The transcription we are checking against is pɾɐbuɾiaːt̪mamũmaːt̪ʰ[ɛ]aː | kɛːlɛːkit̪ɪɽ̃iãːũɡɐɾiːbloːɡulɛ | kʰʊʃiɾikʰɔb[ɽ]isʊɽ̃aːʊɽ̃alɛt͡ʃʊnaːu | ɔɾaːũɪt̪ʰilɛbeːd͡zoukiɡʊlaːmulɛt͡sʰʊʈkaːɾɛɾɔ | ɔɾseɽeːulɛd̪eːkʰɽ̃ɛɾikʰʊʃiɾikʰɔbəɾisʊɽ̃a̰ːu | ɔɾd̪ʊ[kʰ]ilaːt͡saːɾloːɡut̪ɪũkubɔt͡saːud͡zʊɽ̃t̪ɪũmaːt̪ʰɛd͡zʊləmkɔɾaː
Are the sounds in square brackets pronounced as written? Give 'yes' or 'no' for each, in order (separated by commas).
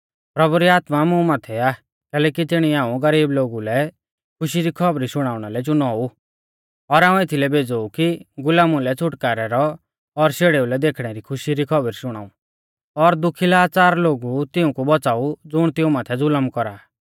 yes, no, yes